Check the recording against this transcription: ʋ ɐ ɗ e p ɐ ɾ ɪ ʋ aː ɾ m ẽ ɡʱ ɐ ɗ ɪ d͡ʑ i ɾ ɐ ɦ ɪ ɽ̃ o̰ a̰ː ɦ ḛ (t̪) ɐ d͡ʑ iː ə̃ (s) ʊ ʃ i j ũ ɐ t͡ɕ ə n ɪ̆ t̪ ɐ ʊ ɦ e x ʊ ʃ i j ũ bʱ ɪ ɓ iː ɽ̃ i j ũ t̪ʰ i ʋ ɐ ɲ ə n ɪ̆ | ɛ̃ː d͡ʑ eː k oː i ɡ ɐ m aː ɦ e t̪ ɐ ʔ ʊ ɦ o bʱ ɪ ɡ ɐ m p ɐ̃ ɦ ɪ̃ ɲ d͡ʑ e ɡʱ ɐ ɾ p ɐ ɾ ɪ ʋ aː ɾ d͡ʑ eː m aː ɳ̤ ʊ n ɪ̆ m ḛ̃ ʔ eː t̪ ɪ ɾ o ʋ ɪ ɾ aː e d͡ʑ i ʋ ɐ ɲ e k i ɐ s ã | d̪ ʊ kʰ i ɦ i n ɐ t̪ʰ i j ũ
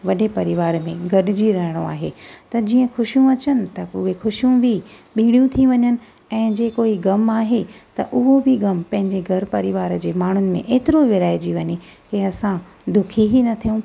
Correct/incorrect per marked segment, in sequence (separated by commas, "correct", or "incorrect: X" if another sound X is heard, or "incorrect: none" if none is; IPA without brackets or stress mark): correct, incorrect: x